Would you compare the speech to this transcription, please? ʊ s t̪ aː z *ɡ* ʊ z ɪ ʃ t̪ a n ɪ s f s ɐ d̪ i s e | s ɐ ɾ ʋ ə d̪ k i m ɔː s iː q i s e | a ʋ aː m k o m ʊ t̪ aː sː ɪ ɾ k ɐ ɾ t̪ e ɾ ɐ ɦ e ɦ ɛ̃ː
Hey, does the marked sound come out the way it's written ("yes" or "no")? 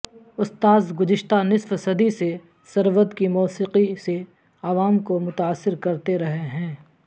yes